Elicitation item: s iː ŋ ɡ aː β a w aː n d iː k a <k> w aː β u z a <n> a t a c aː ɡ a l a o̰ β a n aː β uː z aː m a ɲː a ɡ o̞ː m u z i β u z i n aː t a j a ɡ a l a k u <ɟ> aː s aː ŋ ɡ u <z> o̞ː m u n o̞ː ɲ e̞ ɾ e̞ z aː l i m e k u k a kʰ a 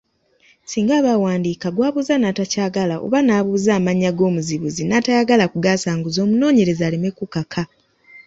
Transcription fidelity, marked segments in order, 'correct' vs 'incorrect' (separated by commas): incorrect, correct, incorrect, correct